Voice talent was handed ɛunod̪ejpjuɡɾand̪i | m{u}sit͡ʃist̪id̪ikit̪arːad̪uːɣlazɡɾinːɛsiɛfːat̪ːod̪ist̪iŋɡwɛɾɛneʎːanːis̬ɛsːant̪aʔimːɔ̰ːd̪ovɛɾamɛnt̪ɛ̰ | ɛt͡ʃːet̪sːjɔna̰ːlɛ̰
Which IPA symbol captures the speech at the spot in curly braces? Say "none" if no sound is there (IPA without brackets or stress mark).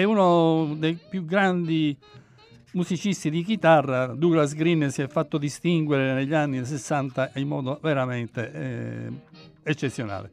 u